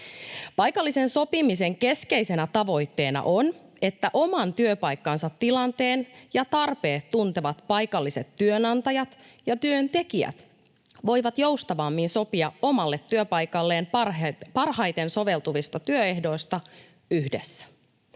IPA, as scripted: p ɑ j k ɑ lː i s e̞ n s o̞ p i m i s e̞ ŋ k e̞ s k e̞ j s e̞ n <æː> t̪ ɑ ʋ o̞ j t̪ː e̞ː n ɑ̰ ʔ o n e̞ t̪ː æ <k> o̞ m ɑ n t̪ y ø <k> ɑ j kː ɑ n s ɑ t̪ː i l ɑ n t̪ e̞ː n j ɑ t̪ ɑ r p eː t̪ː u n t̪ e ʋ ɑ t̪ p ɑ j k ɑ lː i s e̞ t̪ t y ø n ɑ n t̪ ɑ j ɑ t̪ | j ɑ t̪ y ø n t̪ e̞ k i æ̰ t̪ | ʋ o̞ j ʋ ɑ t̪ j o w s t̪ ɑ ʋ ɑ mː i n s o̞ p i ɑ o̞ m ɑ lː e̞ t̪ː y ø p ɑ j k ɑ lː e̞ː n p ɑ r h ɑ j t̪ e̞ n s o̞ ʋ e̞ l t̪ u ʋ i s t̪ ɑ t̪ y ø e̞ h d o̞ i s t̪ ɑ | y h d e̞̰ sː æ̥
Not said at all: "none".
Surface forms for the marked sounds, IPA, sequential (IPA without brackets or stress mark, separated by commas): æ, ʔ, p